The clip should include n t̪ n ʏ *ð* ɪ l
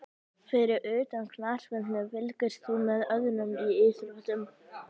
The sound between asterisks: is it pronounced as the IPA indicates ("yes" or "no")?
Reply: no